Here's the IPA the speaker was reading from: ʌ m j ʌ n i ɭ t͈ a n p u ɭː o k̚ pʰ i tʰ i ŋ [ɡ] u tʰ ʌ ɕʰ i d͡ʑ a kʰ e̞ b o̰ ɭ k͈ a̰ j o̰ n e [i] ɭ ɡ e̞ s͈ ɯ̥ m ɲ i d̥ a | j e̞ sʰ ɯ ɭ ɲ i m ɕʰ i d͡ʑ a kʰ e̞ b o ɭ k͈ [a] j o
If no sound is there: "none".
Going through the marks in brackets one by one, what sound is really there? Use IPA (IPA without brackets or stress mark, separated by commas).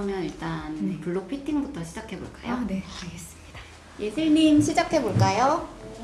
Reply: b, a, a